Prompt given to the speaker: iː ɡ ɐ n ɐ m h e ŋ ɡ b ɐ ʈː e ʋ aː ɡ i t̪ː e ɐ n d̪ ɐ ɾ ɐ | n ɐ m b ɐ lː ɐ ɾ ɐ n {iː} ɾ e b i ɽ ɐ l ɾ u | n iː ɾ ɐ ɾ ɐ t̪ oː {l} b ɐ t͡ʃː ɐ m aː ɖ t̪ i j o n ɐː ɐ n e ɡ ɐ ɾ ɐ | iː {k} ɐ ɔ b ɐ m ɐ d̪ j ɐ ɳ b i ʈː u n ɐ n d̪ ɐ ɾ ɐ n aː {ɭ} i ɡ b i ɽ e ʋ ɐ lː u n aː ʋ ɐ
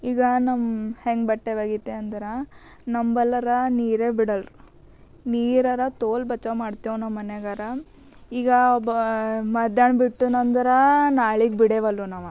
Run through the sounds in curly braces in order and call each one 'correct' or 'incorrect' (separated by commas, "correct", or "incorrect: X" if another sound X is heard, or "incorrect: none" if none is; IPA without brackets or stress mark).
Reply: correct, correct, incorrect: ɡ, correct